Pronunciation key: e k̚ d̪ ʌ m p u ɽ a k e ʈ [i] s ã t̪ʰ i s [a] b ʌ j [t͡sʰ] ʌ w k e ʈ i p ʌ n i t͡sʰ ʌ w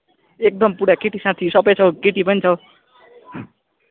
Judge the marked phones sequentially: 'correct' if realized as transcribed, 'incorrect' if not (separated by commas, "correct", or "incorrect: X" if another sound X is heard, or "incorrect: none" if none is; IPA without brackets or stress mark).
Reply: correct, incorrect: ʌ, correct